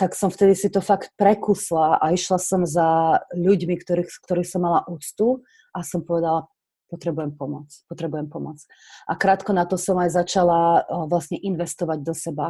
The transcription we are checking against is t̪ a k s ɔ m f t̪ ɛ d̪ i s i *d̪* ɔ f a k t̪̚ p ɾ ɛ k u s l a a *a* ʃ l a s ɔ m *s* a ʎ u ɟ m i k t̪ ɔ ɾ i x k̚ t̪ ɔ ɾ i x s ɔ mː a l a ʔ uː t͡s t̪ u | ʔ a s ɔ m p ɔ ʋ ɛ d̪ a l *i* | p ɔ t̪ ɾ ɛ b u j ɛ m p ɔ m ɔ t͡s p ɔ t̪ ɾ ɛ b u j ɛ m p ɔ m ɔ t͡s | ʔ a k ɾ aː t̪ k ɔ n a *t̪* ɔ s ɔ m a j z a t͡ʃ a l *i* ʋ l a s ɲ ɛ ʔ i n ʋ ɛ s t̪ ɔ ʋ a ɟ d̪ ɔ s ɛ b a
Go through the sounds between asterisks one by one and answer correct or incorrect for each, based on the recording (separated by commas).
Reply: incorrect, incorrect, incorrect, incorrect, correct, incorrect